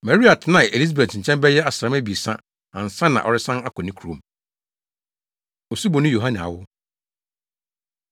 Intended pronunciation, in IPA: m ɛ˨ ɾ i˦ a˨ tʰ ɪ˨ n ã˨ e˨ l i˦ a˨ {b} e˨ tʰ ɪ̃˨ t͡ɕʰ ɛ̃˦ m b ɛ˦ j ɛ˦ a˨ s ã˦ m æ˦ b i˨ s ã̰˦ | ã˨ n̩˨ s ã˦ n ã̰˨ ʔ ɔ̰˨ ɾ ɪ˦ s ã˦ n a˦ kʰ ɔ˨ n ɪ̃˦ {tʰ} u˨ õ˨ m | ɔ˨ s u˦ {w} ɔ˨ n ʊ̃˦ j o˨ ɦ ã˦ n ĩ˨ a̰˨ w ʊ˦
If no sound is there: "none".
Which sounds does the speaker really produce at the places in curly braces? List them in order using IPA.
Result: b, kʰ, b

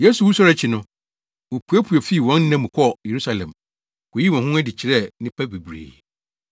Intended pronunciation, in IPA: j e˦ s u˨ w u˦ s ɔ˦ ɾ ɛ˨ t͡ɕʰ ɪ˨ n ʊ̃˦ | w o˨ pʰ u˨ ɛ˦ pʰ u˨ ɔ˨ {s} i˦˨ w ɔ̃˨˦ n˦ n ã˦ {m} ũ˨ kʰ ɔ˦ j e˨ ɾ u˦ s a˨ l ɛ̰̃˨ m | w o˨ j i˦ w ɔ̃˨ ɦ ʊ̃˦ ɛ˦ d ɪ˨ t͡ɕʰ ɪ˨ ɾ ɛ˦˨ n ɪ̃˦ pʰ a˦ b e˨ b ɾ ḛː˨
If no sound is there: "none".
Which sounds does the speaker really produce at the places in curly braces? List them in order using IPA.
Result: f, m

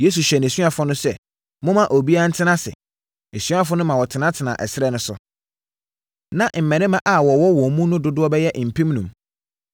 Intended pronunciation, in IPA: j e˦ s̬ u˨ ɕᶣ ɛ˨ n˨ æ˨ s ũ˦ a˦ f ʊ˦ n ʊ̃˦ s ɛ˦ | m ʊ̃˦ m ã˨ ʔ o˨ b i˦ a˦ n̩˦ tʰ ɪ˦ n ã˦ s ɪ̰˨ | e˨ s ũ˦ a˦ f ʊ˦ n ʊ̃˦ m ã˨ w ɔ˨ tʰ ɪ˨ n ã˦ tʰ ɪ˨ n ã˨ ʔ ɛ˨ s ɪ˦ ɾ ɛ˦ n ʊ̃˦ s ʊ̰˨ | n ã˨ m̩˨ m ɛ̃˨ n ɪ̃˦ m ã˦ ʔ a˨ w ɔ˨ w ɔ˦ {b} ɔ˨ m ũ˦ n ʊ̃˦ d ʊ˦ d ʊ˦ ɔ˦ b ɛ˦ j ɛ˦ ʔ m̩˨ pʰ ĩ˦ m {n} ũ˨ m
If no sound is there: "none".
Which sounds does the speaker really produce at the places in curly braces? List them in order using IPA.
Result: w, n

